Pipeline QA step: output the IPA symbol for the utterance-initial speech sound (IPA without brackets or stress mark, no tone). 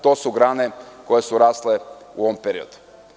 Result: t̪